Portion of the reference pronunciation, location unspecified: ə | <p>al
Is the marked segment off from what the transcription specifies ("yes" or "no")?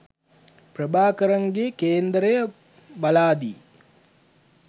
yes